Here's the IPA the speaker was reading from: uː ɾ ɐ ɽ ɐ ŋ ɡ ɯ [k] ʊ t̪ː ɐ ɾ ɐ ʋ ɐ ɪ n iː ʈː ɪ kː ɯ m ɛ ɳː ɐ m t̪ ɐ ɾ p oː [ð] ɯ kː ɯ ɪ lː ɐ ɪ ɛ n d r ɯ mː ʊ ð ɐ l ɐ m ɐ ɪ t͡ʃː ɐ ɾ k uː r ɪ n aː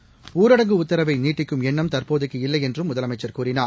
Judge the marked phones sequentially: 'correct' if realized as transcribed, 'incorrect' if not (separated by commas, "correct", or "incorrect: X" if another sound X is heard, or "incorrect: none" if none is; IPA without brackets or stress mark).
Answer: incorrect: none, correct